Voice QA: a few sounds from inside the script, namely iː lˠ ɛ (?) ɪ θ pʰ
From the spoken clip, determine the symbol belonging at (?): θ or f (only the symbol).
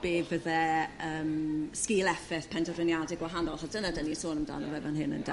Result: f